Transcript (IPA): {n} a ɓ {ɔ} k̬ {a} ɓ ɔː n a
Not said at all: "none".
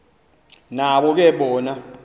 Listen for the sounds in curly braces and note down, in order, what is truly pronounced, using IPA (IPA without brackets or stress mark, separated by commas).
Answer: n, ɔ, ɛ